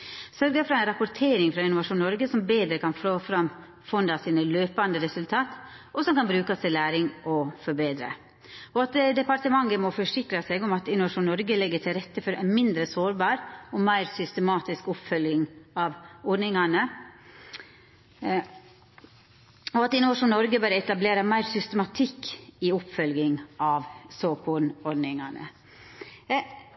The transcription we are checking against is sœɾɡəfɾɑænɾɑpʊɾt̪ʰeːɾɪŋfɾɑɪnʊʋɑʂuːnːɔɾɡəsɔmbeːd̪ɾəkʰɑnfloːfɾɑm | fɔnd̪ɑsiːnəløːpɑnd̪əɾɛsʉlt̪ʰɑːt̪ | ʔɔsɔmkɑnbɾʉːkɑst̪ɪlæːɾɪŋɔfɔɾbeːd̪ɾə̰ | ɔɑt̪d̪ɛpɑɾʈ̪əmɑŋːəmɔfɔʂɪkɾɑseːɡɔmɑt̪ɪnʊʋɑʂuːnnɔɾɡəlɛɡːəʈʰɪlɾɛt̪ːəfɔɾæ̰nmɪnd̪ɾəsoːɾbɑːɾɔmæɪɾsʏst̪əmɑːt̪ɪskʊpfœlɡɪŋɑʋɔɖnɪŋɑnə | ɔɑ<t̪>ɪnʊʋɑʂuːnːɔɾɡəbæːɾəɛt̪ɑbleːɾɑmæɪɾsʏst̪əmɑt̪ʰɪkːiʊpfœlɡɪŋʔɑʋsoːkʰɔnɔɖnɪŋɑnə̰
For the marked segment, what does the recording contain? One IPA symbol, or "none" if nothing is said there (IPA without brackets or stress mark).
t̪